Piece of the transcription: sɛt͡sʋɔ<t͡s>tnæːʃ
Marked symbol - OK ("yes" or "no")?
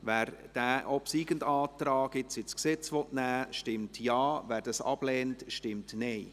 no